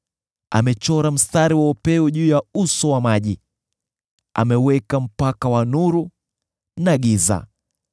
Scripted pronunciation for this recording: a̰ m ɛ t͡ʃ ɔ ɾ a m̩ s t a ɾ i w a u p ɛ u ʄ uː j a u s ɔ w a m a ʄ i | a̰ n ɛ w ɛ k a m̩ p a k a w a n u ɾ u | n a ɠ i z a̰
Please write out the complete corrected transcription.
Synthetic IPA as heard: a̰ m ɛ t͡ʃ ɔ ɾ a m̩ s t a ɾ i w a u p ɛ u ʄ uː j a u s ɔ w a m a ʄ i | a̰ m ɛ w ɛ k a m̩ p a k a w a n u ɾ u | n a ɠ i z a̰